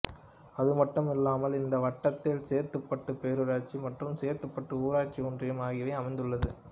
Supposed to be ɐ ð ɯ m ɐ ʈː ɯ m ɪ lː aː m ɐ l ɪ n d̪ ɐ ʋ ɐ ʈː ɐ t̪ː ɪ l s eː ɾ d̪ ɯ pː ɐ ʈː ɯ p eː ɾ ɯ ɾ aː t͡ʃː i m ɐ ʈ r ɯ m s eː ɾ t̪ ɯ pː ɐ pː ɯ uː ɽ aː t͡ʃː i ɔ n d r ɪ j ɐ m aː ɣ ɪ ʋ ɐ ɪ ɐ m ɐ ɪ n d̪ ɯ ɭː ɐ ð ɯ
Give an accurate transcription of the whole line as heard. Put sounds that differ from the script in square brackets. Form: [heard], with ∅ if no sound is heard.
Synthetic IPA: ɐ ð ɯ m ɐ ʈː ɯ m ɪ lː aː m ɐ l ɪ n d̪ ɐ ʋ ɐ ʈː ɐ t̪ː ɪ l s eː ɾ [t̪] ɯ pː ɐ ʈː ɯ p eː ɾ ɯ ɾ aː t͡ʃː i m ɐ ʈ r ɯ m s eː ɾ t̪ ɯ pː ɐ [ʈː] ɯ uː [ɾ] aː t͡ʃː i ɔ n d r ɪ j ɐ m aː ɣ ɪ ʋ ɐ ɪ ɐ m ɐ ɪ n d̪ ɯ ɭː ɐ ð ɯ